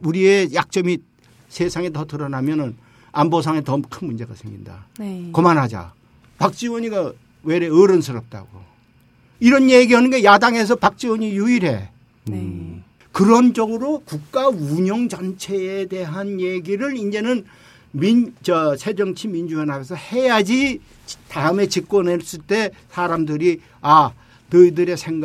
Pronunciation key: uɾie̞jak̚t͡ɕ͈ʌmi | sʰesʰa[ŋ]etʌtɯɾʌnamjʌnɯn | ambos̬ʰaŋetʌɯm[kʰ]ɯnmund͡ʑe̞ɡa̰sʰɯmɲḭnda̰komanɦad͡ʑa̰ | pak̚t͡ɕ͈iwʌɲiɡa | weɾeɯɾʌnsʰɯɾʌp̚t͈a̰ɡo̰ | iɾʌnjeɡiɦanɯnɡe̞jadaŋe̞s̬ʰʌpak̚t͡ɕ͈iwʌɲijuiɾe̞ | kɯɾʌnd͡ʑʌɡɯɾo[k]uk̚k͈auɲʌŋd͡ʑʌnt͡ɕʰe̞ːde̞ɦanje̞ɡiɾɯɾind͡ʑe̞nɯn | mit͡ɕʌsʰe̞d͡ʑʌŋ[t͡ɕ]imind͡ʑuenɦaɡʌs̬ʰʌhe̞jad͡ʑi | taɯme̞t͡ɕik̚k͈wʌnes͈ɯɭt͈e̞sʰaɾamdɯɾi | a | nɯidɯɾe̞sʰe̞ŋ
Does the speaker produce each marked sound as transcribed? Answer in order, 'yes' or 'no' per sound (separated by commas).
yes, yes, yes, no